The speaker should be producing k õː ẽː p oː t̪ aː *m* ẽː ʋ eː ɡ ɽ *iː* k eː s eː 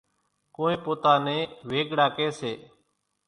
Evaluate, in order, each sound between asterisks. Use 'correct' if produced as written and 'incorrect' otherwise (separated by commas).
incorrect, incorrect